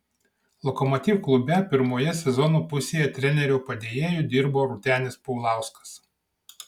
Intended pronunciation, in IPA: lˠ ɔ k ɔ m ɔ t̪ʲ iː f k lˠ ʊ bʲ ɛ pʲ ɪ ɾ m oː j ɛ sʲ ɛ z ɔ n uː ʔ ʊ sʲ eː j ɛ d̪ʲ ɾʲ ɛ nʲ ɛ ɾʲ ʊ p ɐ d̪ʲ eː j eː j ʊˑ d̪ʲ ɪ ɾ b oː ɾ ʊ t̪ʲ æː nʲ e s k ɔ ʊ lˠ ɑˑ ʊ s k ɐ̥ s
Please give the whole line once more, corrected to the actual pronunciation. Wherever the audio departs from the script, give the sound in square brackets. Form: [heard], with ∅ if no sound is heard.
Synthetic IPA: lˠ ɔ k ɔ m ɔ t̪ʲ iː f k lˠ ʊ bʲ ɛ pʲ ɪ ɾ m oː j ɛ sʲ ɛ z ɔ n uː [p] ʊ sʲ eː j ɛ [t̪ʲ] ɾʲ ɛ nʲ ɛ ɾʲ ʊ p ɐ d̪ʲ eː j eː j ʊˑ d̪ʲ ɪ ɾ b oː ɾ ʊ t̪ʲ æː nʲ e s [p] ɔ ʊ lˠ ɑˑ ʊ s k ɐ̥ s